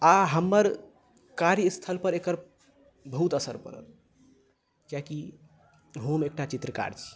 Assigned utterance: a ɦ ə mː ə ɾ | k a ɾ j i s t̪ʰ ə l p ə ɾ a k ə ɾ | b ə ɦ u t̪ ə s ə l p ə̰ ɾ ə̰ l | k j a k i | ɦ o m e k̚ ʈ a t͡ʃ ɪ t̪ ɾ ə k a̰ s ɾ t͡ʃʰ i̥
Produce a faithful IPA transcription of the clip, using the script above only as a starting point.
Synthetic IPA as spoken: a ɦ ə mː ə ɾ | k a ɾ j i s t̪ʰ ə l p ə ɾ e k ə ɾ | b ə ɦ u t̪ ə s ə ɾ p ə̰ ɾ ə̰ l | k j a k i | ɦ o m e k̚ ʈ a t͡ʃ i t̪ ɾ ə k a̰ ɾ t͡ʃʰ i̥